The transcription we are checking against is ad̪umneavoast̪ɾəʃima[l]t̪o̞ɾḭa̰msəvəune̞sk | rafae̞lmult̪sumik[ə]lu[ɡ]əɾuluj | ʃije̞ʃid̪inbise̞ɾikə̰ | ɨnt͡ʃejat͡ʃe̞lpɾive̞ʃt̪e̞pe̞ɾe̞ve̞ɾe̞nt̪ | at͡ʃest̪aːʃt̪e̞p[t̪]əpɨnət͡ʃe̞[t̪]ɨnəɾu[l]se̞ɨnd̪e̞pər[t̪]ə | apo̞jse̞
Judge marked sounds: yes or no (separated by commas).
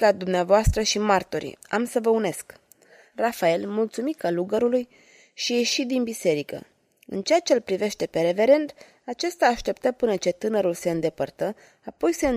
no, no, yes, yes, yes, yes, yes